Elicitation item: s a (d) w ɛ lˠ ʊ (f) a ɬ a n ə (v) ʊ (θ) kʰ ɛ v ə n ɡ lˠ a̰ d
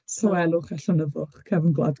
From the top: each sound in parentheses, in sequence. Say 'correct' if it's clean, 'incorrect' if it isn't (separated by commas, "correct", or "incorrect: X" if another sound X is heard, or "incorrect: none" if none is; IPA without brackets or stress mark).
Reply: incorrect: none, incorrect: χ, correct, incorrect: χ